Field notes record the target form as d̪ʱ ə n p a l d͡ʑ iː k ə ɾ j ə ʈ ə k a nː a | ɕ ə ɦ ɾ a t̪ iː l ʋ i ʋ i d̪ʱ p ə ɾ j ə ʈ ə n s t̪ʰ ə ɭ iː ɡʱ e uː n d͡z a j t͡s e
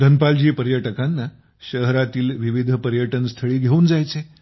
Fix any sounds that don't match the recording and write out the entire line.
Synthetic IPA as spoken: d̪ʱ ə n p a l d͡ʑ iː p ə ɾ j ə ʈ ə k a nː a | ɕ ə ɦ ɾ a t̪ iː l ʋ i ʋ i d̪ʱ p ə ɾ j ə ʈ ə n s t̪ʰ ə ɭ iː ɡʱ e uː n d͡z a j t͡s e